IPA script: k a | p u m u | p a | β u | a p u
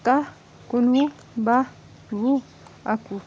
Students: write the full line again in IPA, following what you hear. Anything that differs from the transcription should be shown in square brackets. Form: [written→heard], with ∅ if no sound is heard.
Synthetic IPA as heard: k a | [p→k] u [m→n] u | [p→b] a | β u | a [p→k] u

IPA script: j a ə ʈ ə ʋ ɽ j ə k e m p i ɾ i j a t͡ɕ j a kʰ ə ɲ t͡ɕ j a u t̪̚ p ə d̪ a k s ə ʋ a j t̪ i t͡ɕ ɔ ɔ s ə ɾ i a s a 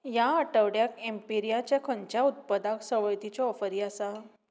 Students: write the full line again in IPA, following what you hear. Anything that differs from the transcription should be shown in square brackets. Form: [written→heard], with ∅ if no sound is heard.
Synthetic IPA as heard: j a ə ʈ ə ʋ ɽ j [ə→a] k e m p i ɾ i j a t͡ɕ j a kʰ ə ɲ t͡ɕ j a u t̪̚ p ə d̪ a k s ə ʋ [a→ə] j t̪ i t͡ɕ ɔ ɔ [s→f] ə ɾ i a s a

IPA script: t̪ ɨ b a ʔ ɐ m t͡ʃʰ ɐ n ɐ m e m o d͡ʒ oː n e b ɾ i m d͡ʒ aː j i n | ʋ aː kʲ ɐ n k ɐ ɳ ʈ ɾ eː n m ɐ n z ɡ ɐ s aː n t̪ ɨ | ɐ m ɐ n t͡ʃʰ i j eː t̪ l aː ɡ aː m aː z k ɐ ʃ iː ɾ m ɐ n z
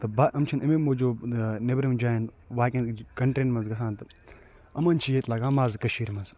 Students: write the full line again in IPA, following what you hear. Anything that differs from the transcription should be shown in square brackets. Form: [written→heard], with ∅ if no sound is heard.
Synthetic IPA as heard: t̪ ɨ b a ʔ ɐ m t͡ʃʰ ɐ n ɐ m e m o d͡ʒ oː n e b ɾ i m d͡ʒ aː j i n | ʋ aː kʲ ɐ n k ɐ ɳ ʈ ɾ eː n m ɐ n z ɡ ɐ s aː n t̪ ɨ | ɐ m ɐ n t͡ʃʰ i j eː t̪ l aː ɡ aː m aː z k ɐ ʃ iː ɾ m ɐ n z

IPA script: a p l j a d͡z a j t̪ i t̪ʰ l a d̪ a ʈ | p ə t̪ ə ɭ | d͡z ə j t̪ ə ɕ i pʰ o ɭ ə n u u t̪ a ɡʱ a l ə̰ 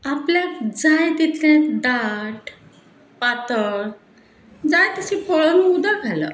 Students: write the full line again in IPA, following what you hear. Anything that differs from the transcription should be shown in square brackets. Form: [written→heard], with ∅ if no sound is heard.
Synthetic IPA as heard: a p l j a d͡z a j t̪ i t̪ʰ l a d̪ a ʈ | p [ə→a] t̪ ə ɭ | d͡z [ə→a] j t̪ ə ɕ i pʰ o ɭ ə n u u [t̪→d̪] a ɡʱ a l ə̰

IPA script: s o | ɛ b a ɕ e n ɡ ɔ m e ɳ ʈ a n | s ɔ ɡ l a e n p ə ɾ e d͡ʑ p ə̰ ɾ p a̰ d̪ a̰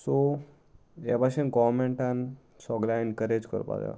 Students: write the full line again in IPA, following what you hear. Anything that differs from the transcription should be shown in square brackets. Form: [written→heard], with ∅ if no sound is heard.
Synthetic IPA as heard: s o | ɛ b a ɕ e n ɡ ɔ m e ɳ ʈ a n | s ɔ ɡ l a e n [p→k] ə ɾ e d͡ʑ [p→k] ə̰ ɾ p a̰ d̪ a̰

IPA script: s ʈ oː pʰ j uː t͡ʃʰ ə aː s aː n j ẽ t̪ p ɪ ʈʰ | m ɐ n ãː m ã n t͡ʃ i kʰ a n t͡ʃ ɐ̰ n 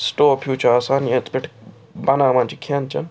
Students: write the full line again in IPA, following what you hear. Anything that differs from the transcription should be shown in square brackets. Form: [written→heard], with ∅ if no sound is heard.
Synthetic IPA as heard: s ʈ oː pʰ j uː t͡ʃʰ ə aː s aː n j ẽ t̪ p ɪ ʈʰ | [m→b] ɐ n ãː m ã n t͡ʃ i kʰ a n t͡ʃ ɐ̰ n

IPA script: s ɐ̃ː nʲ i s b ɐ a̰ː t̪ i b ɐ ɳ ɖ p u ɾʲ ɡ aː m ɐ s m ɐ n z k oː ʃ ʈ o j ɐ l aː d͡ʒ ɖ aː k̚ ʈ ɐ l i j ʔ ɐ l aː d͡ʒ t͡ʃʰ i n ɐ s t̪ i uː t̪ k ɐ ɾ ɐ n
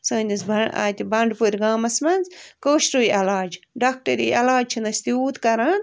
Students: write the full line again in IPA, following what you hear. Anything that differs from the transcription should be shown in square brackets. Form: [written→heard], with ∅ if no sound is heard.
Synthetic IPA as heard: s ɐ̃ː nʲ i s b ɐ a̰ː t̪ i b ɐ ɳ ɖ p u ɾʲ ɡ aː m ɐ s m ɐ n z k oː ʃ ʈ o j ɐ l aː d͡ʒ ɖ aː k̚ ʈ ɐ [l→ɾ] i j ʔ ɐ l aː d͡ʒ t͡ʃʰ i n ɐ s t̪ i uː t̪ k ɐ ɾ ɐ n

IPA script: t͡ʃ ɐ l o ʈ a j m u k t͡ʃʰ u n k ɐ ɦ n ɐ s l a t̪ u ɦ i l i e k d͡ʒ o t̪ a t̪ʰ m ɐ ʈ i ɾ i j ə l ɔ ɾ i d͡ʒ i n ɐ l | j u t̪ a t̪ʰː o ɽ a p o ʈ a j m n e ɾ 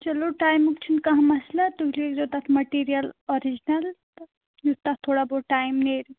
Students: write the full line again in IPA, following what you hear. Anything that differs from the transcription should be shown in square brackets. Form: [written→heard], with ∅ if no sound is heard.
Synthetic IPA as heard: t͡ʃ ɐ l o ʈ a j m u k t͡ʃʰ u n k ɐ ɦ [n→m] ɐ s l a t̪ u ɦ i l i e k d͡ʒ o t̪ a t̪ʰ m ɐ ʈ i ɾ i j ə l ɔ ɾ i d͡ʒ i n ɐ l | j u t̪ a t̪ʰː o ɽ a [p→b] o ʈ a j m n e ɾ

